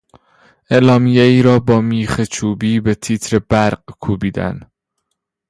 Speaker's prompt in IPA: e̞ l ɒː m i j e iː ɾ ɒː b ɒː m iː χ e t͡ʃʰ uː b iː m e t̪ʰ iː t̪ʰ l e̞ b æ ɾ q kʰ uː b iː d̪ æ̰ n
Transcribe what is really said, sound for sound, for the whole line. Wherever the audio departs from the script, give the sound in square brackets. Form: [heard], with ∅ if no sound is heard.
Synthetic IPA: e̞ l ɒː m i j e iː ɾ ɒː b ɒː m iː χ e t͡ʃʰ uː b iː [b] e t̪ʰ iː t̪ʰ [ɾ] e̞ b æ ɾ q kʰ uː b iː d̪ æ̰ n